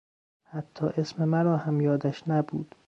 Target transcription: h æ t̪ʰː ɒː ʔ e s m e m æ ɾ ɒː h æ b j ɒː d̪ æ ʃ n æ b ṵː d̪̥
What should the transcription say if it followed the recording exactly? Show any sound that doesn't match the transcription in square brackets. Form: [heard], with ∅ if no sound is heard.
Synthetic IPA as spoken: h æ t̪ʰː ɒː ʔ e s m e m æ ɾ ɒː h æ [m] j ɒː d̪ æ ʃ n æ b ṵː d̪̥